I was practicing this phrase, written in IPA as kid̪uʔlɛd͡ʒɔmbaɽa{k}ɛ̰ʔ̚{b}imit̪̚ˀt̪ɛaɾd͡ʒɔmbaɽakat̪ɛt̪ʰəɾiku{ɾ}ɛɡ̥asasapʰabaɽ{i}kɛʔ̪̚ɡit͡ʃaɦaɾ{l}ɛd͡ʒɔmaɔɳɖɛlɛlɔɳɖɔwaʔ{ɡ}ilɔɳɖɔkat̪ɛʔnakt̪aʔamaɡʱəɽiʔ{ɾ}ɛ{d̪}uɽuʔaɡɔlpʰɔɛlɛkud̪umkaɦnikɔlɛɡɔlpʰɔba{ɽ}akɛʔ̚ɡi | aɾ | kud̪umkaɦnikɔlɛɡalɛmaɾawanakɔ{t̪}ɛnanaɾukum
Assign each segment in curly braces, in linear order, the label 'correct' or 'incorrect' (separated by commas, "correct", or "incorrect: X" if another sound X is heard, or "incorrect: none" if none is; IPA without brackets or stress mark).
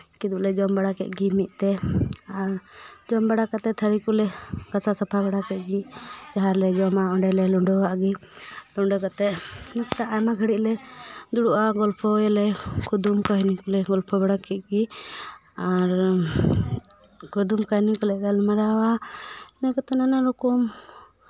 correct, incorrect: ɡ, incorrect: l, incorrect: a, correct, correct, incorrect: l, correct, correct, correct